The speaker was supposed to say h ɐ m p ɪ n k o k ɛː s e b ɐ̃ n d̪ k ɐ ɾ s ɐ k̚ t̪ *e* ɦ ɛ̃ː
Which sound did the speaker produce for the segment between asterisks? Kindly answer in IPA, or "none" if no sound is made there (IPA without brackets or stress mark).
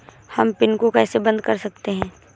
e